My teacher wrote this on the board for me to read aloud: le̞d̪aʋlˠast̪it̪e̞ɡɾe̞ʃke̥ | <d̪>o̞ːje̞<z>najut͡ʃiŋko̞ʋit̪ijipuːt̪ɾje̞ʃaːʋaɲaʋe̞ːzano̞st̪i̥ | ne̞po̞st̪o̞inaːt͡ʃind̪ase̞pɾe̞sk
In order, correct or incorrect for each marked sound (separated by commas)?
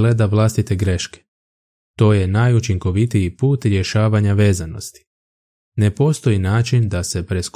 incorrect, incorrect